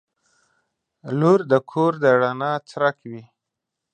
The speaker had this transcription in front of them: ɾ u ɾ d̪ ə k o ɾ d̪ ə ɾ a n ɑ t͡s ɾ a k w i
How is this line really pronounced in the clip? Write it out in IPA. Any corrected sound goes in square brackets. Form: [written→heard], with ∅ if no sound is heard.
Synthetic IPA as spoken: [ɾ→l] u ɾ d̪ ə [k→kʰ] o ɾ d̪ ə [ɾ→ɽ] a n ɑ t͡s ɾ a k w i